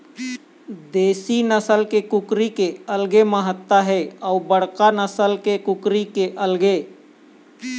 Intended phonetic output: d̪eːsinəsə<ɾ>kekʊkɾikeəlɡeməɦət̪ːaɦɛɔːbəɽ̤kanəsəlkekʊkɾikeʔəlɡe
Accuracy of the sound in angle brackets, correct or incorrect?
incorrect